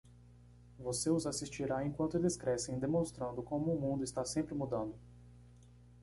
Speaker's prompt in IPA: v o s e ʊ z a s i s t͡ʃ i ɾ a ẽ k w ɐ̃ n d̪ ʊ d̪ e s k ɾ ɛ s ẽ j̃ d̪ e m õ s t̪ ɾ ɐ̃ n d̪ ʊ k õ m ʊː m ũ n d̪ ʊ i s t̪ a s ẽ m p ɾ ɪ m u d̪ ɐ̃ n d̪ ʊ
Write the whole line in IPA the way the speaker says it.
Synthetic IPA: v o s e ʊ z a s i s t͡ʃ i ɾ a ẽ k w ɐ̃ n t̪ ʊ d̪ e s k ɾ ɛ s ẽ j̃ d̪ e m õ s t̪ ɾ ɐ̃ n d̪ ʊ k õ m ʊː m ũ n d̪ ʊ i s t̪ a s ẽ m p ɾ ɪ m u d̪ ɐ̃ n d̪ ʊ